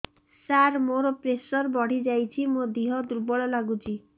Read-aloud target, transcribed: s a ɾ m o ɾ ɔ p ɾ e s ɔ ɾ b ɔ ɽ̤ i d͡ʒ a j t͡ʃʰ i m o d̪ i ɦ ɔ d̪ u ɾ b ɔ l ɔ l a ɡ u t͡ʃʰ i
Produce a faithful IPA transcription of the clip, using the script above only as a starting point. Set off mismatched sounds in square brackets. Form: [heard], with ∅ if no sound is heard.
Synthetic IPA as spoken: s a ɾ m o ɾ ɔ p ɾ e s ɔ ɾ b ɔ ɽ̤ i d͡ʒ a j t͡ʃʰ i m o d̪ i ɦ ɔ d̪ u ɾ b ɔ [ɭ] ɔ l a ɡ u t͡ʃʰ i